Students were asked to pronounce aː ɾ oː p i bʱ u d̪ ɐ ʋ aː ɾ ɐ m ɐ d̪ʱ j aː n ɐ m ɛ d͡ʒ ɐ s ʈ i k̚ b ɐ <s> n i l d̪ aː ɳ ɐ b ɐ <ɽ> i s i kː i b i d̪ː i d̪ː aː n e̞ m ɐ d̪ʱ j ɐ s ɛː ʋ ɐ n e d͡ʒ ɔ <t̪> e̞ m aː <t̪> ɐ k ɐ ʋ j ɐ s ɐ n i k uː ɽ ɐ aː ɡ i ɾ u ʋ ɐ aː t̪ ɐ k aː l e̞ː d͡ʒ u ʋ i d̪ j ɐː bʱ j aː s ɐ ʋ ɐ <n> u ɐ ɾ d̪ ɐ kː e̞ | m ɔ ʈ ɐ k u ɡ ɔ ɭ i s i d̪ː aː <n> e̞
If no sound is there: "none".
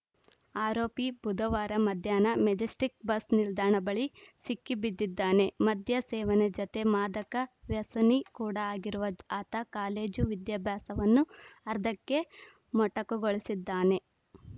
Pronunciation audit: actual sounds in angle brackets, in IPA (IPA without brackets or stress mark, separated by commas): s, ɭ, t̪, d̪, nː, n